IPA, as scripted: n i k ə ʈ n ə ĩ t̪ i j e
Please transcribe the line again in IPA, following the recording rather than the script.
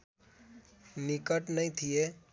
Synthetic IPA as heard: n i k ə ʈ n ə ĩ t̪ʰ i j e